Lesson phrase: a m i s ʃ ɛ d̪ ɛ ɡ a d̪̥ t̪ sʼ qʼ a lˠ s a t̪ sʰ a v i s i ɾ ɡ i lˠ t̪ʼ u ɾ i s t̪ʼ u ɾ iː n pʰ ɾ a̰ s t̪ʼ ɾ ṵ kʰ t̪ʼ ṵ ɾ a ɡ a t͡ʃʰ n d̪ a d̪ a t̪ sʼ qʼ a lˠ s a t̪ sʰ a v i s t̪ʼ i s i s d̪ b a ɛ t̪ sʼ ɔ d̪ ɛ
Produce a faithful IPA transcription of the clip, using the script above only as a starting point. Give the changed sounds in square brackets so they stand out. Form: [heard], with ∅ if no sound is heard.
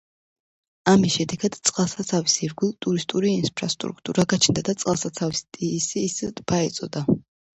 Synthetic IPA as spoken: a m i s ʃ ɛ d̪ ɛ ɡ a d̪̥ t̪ sʼ qʼ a lˠ s a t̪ sʰ a v i s i ɾ ɡ i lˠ t̪ʼ u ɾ i s t̪ʼ u ɾ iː n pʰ ɾ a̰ s t̪ʼ ɾ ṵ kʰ t̪ʼ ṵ ɾ a ɡ a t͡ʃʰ n d̪ a d̪ a t̪ sʼ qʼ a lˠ s a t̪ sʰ a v i s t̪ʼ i s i s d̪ b a ɛ t̪ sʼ ɔ d̪ [a]